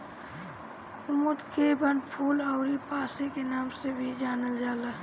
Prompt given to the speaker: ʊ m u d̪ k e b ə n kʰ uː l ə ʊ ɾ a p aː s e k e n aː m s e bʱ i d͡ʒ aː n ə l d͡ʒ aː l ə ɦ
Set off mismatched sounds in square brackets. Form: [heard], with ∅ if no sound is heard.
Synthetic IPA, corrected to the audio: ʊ m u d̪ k e b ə n [pʰ] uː l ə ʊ ɾ [i] p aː s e k e n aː m s e bʱ i d͡ʒ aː n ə l d͡ʒ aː l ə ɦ